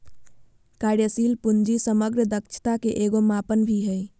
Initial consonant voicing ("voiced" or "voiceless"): voiceless